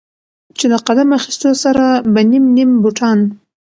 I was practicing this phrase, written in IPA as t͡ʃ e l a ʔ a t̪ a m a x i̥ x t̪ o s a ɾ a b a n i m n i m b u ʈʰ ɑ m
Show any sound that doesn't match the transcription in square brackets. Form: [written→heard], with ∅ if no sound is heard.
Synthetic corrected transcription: t͡ʃ e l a [ʔ→q] a [t̪→d̪] a m a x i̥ [x→s] t̪ o s a ɾ a b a n i m n i m b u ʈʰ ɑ [m→n]